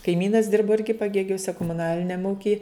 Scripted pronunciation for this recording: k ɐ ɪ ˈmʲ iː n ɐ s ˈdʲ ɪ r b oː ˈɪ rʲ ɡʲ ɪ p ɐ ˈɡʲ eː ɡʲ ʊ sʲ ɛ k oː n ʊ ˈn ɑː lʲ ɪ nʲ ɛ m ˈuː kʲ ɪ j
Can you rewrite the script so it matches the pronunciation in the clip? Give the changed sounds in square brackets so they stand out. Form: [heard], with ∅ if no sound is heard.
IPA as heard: k ɐ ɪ ˈmʲ iː n ɐ s ˈdʲ ɪ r b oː ˈɪ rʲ ɡʲ ɪ p ɐ ˈɡʲ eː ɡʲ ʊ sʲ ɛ k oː [m] ʊ ˈn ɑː lʲ ɪ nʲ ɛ m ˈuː kʲ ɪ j